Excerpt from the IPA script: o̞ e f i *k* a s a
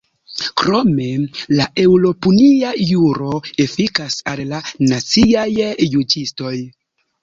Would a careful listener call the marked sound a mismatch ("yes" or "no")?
no